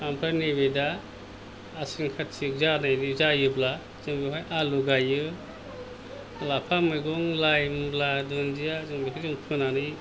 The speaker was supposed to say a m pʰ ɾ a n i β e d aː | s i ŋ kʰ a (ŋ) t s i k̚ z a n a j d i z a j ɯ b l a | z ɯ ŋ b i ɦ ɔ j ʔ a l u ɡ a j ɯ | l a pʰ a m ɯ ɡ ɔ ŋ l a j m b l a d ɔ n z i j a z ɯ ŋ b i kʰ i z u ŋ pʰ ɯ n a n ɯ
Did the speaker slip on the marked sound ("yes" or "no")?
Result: yes